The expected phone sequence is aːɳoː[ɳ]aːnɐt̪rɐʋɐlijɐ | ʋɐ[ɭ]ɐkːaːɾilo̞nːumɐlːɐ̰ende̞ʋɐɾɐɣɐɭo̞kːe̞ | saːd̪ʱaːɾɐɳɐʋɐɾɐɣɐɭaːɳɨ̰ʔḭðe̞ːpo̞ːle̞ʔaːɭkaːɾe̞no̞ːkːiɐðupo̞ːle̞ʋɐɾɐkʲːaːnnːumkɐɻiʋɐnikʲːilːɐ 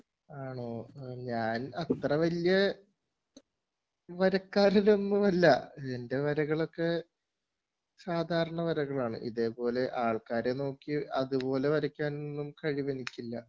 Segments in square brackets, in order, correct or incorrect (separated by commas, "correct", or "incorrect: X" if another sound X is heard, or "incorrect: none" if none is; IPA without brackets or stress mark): incorrect: ɲ, incorrect: ɾ